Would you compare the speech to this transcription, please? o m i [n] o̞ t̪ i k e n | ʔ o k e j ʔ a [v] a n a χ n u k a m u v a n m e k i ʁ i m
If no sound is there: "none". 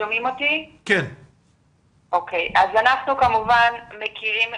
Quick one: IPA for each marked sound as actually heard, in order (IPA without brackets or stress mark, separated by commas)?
m, z